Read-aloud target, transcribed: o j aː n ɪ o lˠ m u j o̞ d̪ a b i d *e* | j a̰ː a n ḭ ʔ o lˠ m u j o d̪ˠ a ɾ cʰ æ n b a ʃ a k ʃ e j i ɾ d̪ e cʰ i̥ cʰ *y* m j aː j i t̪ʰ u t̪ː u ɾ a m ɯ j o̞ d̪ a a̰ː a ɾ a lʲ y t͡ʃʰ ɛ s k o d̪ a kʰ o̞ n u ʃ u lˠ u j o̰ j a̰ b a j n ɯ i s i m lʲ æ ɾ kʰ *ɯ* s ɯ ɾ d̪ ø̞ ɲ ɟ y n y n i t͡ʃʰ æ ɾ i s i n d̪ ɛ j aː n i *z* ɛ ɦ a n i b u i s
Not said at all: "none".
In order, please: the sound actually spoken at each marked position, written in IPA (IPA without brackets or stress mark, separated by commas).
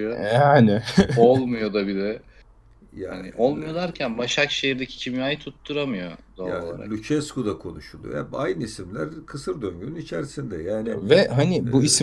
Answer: ɛ, i, ɯ, v